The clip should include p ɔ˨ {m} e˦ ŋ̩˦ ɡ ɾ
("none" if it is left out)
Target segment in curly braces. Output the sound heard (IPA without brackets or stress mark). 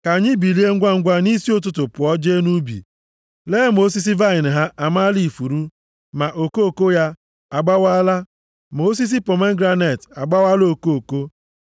m